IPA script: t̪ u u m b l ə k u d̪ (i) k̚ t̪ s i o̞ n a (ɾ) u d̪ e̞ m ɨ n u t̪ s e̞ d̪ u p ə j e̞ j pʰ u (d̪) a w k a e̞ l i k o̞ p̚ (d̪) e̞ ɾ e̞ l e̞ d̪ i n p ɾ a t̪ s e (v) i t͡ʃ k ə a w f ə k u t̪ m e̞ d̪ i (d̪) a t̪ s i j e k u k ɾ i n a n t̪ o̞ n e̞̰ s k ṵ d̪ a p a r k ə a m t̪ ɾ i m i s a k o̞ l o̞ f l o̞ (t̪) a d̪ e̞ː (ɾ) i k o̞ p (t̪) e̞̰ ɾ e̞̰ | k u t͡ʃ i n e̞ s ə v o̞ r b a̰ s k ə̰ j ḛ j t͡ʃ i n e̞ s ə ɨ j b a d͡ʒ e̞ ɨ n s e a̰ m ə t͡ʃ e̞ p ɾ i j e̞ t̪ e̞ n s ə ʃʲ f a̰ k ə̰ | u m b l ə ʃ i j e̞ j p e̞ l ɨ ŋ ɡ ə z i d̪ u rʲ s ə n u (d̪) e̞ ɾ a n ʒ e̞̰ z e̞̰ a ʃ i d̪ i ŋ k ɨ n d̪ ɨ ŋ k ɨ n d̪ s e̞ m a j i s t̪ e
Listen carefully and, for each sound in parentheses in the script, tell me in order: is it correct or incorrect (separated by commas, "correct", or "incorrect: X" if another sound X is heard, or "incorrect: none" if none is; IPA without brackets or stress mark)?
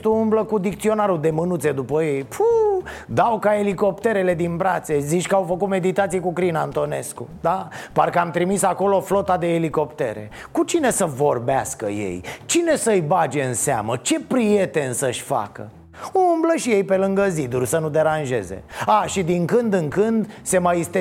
correct, correct, correct, incorrect: t̪, incorrect: z, incorrect: t̪, correct, incorrect: l, correct, correct